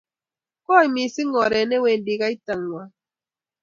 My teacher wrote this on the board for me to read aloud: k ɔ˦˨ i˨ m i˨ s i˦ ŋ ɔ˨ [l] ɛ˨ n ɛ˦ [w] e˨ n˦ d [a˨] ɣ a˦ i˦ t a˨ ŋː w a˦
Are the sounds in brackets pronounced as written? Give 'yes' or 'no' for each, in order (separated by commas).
no, yes, no